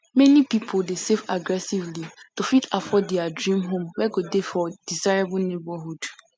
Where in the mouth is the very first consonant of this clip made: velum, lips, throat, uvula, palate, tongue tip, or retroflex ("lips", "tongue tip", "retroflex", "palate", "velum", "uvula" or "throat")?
lips